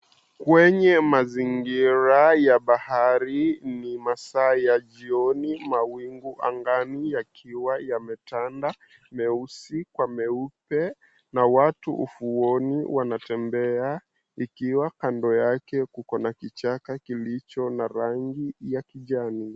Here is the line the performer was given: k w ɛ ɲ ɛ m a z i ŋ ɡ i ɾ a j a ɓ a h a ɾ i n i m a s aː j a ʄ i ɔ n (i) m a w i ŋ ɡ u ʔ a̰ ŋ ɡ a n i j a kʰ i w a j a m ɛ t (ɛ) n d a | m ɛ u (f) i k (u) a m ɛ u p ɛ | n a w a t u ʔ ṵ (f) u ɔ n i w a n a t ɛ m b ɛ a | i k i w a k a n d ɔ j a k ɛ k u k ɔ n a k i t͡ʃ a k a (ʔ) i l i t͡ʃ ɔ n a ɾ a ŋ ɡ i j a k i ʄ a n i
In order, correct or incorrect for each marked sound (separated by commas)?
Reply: correct, incorrect, incorrect, incorrect, correct, incorrect